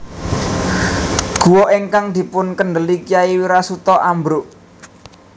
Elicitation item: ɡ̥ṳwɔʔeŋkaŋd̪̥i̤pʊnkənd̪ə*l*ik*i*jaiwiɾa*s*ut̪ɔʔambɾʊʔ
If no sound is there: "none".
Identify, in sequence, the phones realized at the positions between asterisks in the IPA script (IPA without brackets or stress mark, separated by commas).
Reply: l, i, s